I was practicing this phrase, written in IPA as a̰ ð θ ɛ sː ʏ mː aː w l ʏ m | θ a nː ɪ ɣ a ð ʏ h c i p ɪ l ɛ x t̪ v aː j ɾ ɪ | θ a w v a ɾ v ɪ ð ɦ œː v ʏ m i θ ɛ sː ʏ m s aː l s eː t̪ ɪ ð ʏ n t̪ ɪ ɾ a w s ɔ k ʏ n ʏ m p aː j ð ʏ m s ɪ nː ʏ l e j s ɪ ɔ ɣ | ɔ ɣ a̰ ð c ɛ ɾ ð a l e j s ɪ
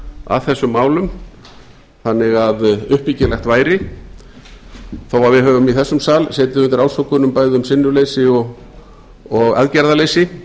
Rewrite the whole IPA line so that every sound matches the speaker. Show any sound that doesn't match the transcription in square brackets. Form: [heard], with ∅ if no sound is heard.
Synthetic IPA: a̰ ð θ ɛ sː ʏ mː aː w l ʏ m | θ a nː ɪ ɣ a ð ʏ h [p] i [c] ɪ l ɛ x t̪ v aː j ɾ ɪ | θ a w v a ɾ v ɪ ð ɦ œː v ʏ m i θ ɛ sː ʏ m s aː l s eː t̪ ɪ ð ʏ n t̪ ɪ ɾ a w s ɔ k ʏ n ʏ m p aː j ð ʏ m s ɪ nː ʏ l e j s ɪ ɔ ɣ | ɔ ɣ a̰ ð c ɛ ɾ ð a l e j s ɪ